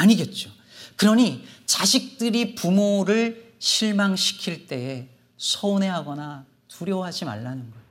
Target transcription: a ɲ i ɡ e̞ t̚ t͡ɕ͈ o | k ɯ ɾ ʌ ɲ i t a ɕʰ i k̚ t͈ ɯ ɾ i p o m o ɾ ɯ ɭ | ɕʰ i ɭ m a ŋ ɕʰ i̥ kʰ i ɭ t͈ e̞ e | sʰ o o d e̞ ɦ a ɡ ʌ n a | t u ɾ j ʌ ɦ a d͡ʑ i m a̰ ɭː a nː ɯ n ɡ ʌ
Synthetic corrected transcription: a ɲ i ɡ e̞ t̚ t͡ɕ͈ o | k ɯ ɾ ʌ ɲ i t͡ɕ a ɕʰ i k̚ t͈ ɯ ɾ i p u m o ɾ ɯ ɭ | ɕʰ i ɭ m a ŋ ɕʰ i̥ kʰ i ɭ t͈ e̞ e | sʰ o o n e̞ ɦ a ɡ ʌ n a | t u ɾ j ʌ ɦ a d͡ʑ i m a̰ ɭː a n ɯ n ɡ ʌ